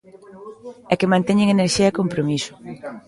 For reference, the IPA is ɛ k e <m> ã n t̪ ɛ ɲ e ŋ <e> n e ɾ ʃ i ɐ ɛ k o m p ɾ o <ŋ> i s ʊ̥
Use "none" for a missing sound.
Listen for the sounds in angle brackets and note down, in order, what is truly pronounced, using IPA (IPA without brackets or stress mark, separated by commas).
m, e, m